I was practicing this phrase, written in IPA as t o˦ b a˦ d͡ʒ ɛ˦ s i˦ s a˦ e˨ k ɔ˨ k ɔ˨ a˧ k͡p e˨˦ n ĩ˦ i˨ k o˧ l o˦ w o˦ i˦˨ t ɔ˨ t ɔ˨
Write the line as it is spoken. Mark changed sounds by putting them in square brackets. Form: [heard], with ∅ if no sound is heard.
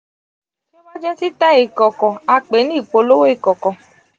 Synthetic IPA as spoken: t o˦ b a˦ d͡ʒ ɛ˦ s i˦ [t] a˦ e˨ k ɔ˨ k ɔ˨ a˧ k͡p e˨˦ n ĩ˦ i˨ [k͡p] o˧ l o˦ w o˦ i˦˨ [k] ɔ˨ [k] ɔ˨